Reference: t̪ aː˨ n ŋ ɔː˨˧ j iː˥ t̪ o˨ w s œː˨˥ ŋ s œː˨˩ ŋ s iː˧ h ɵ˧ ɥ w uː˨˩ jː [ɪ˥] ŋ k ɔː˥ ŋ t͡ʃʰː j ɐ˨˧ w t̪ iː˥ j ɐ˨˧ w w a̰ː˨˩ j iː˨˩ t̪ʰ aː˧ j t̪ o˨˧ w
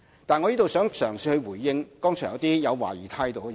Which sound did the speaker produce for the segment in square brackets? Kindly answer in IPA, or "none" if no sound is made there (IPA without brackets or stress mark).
ɪ˧